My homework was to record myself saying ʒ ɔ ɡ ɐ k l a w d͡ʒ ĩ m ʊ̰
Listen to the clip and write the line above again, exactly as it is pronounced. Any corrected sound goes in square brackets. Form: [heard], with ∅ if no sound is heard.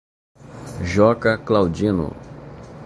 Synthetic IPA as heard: ʒ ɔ [k] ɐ k l a w d͡ʒ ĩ [n] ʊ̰